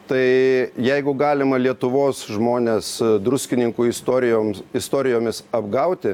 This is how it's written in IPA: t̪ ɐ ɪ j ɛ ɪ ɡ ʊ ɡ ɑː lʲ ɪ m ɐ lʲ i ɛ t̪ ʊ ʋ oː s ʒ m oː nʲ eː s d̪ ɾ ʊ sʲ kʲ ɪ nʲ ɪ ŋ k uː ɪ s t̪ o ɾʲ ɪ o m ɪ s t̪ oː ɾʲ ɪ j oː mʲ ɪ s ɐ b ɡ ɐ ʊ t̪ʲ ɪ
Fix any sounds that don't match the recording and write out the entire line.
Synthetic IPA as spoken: t̪ ɐ ɪ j ɛ ɪ ɡ ʊ ɡ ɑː lʲ ɪ m ɐ lʲ i ɛ t̪ ʊ ʋ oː s ʒ m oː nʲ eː s d̪ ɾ ʊ sʲ kʲ ɪ nʲ ɪ ŋ k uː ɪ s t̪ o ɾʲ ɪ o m ɪ s t̪ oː ɾʲ ɪ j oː mʲ ɪ s ɐ b ɡ ɐ ʊ t̪ʲ ɪ